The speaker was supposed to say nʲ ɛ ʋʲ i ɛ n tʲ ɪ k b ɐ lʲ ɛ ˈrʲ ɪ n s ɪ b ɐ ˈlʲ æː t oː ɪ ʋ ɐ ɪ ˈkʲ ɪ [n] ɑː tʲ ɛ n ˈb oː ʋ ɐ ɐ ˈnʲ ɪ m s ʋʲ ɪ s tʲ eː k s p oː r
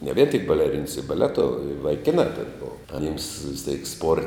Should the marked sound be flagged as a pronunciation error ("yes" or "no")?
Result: no